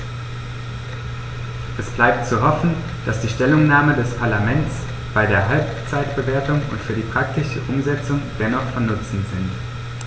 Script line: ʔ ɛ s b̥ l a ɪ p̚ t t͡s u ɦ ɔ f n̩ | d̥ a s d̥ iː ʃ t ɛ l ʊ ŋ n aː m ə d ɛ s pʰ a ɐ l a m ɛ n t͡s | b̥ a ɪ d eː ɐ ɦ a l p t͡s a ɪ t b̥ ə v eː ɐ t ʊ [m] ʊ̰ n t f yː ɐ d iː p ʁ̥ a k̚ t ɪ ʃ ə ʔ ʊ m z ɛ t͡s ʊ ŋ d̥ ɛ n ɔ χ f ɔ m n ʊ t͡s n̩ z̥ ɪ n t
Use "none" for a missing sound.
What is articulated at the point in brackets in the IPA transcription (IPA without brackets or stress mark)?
ŋ